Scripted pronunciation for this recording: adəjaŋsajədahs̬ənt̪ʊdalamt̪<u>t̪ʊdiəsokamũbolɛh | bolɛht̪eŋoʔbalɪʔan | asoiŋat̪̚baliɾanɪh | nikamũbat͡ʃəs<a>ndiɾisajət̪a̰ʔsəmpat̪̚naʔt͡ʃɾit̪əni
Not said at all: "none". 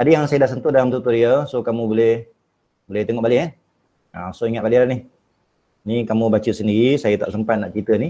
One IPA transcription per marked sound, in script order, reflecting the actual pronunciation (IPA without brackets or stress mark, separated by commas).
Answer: u, ə